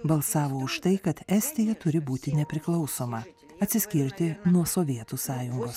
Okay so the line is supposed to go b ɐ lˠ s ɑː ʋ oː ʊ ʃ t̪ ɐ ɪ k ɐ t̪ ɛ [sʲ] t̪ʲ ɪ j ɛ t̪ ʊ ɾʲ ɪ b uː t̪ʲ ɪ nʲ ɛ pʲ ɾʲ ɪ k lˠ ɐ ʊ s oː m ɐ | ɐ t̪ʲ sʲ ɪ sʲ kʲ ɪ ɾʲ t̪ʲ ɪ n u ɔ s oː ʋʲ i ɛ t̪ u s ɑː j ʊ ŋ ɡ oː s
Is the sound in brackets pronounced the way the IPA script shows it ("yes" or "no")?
yes